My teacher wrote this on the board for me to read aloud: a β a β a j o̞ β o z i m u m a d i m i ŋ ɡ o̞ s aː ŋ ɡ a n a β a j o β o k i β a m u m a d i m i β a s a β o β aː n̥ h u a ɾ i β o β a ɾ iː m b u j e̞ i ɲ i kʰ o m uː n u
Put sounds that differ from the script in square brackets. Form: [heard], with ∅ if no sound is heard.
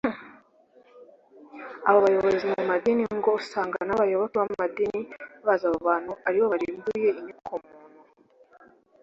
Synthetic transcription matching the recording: a β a β a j o̞ β o z i m u m a d i [n] i ŋ ɡ o̞ s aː ŋ ɡ a n a β a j o β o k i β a m u m a d i [n] i β a [z] a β o β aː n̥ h u a ɾ i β o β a ɾ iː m b u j e̞ i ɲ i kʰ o m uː n u

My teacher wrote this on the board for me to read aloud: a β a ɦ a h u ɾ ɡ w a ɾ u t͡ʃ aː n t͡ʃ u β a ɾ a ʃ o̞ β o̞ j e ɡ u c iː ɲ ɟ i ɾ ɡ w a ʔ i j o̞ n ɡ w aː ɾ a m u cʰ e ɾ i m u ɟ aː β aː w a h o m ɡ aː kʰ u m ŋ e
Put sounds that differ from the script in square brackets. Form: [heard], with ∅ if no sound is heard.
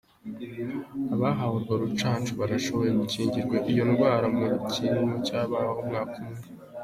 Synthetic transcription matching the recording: a β a ɦ a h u ɾ ɡ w a ɾ u t͡ʃ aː n t͡ʃ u β a ɾ a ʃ o̞ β o̞ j e ɡ u c iː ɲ ɟ i ɾ ɡ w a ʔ i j o̞ n ɡ w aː ɾ a m u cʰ [i] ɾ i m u [c] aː β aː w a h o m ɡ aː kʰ u m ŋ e

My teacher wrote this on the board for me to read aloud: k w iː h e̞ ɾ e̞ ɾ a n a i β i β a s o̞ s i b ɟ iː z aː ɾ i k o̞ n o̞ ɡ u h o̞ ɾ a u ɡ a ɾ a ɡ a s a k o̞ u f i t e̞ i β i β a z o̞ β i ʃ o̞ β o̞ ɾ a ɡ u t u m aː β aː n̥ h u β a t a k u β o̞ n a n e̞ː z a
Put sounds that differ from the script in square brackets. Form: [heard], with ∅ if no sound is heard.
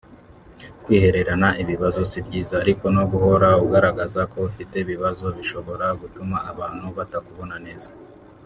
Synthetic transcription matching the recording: k w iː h e̞ ɾ e̞ ɾ a n a i β i β a [z] o̞ s i b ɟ iː z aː ɾ i k o̞ n o̞ ɡ u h o̞ ɾ a u ɡ a ɾ a ɡ a [z] a k o̞ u f i t e̞ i β i β a z o̞ β i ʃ o̞ β o̞ ɾ a ɡ u t u m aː β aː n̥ h u β a t a k u β o̞ n a n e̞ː z a

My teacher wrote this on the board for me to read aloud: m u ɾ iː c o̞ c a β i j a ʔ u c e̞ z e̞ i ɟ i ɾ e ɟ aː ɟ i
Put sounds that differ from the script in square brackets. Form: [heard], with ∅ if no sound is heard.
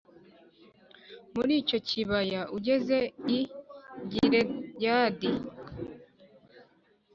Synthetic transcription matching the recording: m u ɾ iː c o̞ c [i] β [a] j a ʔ u [ɟ] e̞ z e̞ i ɟ i ɾ e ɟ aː [d] i

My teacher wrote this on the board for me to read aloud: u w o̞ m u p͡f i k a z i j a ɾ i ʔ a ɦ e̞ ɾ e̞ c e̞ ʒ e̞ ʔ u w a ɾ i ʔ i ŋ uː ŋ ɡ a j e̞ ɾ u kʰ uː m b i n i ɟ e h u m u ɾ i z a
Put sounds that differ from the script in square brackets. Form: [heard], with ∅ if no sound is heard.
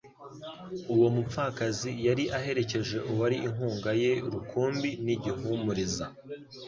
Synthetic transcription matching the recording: u w o̞ m u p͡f [a] k a z i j a ɾ i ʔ a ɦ e̞ ɾ e̞ c e̞ ʒ e̞ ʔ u w a ɾ i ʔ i ŋ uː ŋ ɡ a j e̞ ɾ u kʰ uː m b i n i ɟ [i] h u m u ɾ i z a

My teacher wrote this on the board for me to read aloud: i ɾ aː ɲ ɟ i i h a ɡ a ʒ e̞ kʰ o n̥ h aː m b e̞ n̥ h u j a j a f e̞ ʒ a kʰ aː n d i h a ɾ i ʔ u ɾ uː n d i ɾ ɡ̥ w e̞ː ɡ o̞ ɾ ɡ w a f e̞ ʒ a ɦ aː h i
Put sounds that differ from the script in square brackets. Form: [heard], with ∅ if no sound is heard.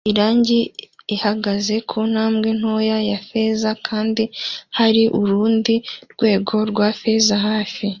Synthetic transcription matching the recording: i ɾ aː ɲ ɟ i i h a ɡ a [z] e̞ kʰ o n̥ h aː m [ɡ] e̞ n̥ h [o] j a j a f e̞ [z] a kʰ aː n d i h a ɾ i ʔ u ɾ uː n d i ɾ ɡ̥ w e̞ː ɡ o̞ ɾ ɡ w a f e̞ [z] a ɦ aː [f] i

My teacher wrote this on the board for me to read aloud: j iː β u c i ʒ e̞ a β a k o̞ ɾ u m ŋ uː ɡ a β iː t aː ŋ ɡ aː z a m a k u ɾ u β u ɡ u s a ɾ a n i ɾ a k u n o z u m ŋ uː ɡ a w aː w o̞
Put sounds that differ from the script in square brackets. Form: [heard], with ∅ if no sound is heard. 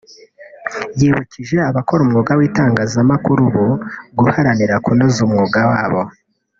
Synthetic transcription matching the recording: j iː β u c i ʒ e̞ a β a k o̞ ɾ u m ŋ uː ɡ a [w] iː t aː ŋ ɡ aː z a m a k u ɾ u β u ɡ u [h] a ɾ a n i ɾ a k u n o z u m ŋ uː ɡ a w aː [β] o̞

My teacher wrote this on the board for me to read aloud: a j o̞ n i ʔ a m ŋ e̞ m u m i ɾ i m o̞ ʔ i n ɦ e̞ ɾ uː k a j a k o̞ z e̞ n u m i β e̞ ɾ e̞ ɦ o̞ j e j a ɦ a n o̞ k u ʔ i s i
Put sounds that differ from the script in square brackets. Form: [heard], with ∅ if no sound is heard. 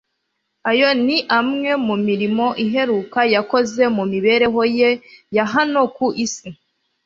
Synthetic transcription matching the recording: a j o̞ n i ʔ a m ŋ e̞ m u m i ɾ i m o̞ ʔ i [∅] ɦ e̞ ɾ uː k a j a k o̞ z e̞ [m] u m i β e̞ ɾ e̞ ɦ o̞ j e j a ɦ a n o̞ k u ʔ i s i

